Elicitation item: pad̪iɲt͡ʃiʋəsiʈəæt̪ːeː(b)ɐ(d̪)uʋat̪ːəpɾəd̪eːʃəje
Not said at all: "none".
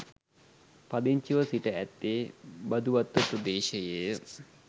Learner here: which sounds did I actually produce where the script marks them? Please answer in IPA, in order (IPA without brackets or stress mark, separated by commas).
b, d̪